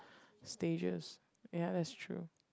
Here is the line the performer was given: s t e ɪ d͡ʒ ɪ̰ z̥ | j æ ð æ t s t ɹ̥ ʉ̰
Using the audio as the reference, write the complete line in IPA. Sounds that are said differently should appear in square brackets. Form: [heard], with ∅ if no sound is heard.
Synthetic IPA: s t e ɪ d͡ʒ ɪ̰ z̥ | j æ ð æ t s [tʰ] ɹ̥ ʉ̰